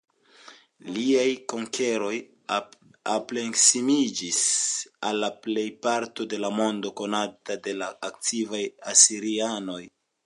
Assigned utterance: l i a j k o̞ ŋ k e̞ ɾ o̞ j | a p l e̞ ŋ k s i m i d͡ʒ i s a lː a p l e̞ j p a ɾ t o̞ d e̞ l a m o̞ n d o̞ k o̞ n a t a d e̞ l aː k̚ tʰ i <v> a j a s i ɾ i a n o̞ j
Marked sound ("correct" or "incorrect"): correct